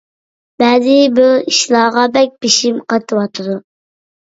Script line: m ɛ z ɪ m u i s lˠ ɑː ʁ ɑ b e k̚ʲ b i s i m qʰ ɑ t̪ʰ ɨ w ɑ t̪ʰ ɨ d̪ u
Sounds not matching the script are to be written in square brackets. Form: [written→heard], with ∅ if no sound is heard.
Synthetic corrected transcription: [m→b] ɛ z ɪ [m→b] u i [s→ʃ] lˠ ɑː ʁ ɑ b [e→ɛ] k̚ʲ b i [s→ʃ] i m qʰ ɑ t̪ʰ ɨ w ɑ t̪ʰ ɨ d̪ u